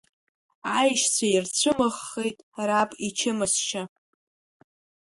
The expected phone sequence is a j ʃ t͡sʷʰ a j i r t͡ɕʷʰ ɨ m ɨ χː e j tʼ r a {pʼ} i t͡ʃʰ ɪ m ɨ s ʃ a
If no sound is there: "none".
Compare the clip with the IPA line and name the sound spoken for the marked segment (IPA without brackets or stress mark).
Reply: pʼ